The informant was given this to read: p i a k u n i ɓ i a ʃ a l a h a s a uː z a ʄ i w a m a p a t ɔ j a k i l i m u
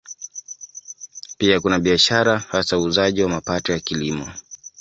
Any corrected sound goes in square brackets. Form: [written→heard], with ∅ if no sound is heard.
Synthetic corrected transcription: p i a k u n [i→a] ɓ i a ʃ a [l→ɾ] a h a s a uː z a ʄ i w a m a p a t ɔ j a k i l i m [u→ɔ]